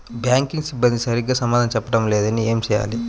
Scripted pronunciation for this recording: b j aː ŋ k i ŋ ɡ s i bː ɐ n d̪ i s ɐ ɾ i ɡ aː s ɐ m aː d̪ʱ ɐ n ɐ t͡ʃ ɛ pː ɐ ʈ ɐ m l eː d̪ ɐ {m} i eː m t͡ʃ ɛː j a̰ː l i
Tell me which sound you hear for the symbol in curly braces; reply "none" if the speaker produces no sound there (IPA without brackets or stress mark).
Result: n